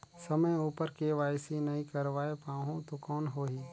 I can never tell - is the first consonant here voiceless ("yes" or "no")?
yes